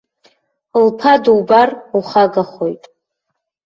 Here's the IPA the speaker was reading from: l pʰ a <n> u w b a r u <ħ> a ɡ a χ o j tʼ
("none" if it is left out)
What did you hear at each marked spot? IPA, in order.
d, χ

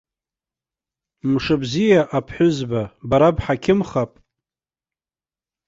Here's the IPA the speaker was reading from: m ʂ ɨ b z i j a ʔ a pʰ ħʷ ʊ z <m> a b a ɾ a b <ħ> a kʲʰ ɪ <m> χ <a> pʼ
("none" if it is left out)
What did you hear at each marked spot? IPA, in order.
b, ħ, m, a

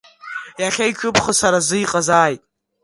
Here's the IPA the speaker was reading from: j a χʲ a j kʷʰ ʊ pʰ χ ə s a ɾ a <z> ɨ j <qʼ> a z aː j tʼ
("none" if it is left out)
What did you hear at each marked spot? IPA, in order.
z, qʼ

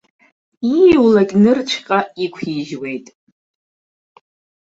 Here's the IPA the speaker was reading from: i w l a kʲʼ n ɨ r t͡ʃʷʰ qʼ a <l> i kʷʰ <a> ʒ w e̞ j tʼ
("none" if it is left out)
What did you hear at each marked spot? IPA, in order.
none, i

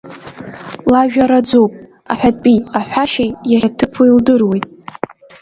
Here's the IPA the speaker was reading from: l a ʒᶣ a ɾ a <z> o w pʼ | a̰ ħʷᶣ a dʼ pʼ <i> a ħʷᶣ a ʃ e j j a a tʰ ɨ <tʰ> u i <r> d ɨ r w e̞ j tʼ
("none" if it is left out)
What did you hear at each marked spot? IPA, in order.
d͡z, i, pʰ, l

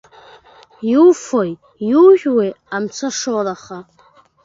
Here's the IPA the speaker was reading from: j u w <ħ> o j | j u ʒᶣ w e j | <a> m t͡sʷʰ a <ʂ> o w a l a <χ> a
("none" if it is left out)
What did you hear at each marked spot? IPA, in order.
f, a, ʂ, χ

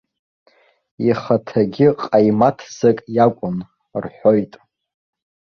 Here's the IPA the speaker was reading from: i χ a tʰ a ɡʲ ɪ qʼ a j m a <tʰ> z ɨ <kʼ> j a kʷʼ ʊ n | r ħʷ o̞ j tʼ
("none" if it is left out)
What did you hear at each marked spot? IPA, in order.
tʰ, kʼ

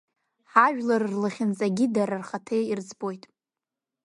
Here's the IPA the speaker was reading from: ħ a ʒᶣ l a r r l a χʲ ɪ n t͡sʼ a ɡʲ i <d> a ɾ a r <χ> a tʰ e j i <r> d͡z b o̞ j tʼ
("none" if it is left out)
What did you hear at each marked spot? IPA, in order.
d, χ, r

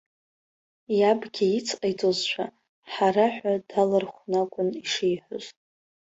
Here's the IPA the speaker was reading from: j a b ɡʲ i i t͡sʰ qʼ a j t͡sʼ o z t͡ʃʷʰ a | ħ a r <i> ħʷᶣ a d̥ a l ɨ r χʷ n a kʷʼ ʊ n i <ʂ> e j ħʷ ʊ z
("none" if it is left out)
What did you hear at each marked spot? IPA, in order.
a, ʂ

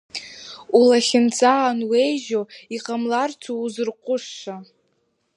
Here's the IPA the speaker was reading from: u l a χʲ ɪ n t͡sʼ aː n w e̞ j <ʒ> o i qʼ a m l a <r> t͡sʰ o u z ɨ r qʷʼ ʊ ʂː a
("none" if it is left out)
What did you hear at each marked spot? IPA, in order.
ʒ, r

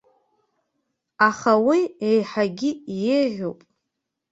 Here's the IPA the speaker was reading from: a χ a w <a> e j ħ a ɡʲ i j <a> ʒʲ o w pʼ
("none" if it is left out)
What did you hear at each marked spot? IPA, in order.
i, e

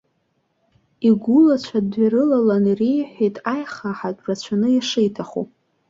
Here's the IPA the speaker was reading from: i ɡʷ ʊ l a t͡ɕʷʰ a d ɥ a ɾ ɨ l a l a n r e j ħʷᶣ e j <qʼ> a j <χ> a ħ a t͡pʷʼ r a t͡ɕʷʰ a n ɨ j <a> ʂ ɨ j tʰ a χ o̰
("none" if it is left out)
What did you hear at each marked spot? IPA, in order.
tʼ, χ, a

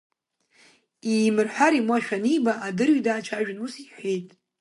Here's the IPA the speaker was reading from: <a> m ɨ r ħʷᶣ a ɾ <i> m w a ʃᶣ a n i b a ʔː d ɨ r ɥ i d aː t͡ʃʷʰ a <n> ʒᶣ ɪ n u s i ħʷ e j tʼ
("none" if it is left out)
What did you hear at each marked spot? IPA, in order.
i, i, none

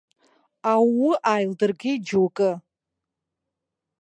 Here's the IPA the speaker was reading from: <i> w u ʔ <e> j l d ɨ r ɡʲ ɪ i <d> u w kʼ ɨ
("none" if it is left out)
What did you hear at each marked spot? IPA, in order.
a, a, d͡ʒ

